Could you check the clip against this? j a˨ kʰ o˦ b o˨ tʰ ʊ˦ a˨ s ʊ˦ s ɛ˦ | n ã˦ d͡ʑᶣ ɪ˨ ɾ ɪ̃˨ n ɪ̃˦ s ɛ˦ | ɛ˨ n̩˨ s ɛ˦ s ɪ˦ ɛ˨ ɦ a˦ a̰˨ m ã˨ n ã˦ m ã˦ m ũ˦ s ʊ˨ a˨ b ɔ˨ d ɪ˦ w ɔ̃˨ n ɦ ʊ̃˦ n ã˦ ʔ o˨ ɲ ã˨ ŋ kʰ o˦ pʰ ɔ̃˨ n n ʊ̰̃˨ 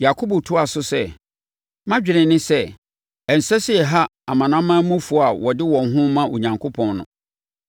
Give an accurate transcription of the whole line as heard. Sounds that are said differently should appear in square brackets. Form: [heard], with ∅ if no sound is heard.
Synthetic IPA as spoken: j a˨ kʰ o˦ b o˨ tʰ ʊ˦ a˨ s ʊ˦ s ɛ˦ | [m] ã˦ d͡ʑᶣ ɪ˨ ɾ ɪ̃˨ n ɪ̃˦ s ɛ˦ | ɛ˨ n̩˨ s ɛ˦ s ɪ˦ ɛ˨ ɦ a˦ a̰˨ m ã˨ n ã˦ m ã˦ m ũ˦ [f] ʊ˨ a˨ [w] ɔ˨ d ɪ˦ w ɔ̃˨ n ɦ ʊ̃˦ [m] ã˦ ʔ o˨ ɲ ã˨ ŋ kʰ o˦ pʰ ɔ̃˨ n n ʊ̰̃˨

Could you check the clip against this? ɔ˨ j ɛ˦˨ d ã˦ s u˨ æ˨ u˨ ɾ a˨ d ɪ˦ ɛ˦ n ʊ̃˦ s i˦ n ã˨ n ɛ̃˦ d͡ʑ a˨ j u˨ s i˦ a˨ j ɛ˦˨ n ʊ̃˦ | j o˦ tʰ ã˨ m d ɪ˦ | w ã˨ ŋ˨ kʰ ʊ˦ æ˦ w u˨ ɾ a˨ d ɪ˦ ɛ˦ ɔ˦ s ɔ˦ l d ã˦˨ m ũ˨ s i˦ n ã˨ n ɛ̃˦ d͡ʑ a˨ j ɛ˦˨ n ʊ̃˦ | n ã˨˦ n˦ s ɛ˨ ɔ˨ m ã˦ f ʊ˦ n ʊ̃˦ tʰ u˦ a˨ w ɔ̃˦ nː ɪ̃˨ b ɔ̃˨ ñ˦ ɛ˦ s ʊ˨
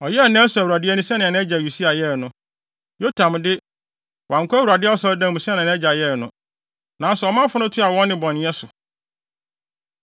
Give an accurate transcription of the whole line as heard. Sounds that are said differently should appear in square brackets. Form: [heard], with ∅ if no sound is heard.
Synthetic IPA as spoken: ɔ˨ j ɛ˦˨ [n] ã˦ s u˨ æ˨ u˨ ɾ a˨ d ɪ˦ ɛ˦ n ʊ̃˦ s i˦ n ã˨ n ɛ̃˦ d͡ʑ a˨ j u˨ s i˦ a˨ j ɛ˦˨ n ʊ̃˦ | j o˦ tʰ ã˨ m d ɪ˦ | w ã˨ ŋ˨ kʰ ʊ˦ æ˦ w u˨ ɾ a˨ d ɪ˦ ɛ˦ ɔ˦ s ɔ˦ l d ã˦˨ m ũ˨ s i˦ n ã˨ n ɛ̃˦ d͡ʑ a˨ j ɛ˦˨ n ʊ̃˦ | n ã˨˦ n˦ s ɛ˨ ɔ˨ m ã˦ f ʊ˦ n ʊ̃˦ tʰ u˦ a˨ w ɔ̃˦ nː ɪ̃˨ b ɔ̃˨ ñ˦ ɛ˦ s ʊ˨

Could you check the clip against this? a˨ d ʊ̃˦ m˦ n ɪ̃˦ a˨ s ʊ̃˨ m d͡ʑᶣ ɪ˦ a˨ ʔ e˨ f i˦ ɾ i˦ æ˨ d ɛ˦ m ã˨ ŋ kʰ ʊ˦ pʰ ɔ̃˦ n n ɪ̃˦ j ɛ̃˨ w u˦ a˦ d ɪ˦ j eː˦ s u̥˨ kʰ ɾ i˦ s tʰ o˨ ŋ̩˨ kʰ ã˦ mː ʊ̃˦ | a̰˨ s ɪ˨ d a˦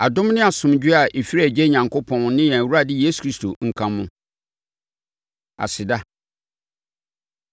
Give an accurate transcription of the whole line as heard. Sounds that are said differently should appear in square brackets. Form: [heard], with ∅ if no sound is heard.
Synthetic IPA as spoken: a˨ d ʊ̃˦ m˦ n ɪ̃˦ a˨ s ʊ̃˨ m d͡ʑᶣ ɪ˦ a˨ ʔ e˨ f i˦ ɾ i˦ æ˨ [d͡ʑ] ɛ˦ [ɲ] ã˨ ŋ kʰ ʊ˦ pʰ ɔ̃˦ n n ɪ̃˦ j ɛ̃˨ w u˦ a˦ d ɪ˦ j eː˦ s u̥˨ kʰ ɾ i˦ s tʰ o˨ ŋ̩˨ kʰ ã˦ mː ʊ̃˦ | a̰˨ s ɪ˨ d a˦

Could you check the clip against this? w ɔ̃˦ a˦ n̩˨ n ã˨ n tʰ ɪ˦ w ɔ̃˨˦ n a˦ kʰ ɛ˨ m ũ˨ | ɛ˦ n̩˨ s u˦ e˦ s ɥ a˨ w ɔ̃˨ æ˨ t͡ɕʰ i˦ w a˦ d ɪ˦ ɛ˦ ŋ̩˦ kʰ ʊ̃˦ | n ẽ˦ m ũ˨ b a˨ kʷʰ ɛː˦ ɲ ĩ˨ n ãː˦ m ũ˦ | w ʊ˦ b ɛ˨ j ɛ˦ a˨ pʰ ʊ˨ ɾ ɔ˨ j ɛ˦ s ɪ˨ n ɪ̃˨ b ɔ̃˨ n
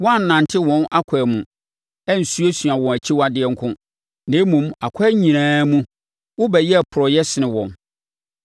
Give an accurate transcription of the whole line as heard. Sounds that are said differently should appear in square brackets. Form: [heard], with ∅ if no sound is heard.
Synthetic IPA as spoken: w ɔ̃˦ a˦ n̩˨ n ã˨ n tʰ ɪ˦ w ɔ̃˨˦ n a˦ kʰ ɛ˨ m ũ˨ | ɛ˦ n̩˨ s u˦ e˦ s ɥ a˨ w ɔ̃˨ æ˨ t͡ɕʰ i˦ w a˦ d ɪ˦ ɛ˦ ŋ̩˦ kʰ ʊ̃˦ | n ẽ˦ m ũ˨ [m] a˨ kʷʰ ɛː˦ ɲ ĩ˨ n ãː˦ m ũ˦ | w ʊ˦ b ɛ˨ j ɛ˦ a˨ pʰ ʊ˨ ɾ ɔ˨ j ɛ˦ s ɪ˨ n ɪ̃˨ [w] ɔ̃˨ n

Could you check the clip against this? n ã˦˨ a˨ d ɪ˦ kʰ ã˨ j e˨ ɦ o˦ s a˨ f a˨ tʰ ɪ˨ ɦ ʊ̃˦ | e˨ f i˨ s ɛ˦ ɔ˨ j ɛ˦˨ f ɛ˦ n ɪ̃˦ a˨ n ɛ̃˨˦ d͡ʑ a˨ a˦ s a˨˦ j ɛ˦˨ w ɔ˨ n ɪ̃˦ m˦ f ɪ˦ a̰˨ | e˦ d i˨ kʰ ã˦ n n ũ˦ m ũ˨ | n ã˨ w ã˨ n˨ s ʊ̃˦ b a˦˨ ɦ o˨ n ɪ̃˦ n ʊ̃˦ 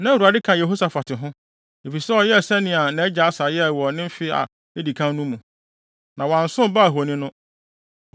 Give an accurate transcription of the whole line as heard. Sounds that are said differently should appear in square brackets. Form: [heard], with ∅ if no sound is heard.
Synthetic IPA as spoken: n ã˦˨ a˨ d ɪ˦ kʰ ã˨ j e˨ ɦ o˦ s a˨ f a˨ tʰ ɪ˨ ɦ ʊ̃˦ | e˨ f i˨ s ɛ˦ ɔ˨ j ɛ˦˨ [s] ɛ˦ n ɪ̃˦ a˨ n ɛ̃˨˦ d͡ʑ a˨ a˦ s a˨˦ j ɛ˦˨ w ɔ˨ n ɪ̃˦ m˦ f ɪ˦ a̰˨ | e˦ d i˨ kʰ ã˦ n n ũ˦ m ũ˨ | n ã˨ w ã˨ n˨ s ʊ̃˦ b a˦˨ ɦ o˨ n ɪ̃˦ n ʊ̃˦

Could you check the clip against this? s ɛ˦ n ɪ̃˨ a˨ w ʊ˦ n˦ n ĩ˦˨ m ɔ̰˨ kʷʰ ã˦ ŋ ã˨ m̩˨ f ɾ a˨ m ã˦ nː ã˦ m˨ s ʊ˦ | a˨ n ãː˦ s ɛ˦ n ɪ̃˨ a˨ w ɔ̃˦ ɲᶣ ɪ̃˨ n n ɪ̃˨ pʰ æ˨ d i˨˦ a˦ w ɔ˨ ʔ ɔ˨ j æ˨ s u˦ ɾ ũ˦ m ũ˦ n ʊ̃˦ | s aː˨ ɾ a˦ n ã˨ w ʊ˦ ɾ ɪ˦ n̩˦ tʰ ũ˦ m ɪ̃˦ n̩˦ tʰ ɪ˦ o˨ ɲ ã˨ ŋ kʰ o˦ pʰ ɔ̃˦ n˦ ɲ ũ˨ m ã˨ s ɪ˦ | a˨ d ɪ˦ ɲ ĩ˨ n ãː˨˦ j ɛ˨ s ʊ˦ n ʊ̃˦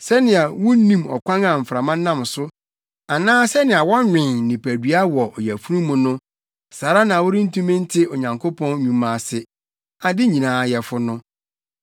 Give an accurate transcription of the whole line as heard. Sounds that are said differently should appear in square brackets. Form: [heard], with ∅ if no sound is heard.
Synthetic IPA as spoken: s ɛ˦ n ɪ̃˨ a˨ w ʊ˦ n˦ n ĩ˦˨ m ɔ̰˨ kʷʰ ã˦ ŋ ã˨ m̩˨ f ɾ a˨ m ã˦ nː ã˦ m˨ s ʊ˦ | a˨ n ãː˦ s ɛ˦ n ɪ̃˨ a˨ w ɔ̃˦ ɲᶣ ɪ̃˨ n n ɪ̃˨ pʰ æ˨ d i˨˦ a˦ w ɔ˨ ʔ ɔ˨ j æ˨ [f] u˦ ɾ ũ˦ m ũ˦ n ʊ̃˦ | s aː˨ ɾ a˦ n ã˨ w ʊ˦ ɾ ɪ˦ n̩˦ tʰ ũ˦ m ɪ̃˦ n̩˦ tʰ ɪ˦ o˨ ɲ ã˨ ŋ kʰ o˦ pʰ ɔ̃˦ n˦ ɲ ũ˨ m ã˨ s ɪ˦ | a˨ d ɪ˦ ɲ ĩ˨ n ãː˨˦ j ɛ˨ [f] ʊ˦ n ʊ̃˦

